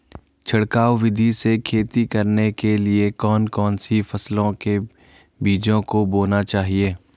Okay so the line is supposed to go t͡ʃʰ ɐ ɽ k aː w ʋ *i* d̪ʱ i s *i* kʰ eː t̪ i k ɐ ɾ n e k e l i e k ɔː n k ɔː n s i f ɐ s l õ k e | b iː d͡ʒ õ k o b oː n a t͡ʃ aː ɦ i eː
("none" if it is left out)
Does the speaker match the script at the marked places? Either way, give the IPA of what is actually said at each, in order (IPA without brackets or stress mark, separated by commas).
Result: ɪ, e